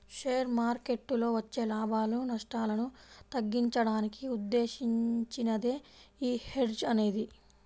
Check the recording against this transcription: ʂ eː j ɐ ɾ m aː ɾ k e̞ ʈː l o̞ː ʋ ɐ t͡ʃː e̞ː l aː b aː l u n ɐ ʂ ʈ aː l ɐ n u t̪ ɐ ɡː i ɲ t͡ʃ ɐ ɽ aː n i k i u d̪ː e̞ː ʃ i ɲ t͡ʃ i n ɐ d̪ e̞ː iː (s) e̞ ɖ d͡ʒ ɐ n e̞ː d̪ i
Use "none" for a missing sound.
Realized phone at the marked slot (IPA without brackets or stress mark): h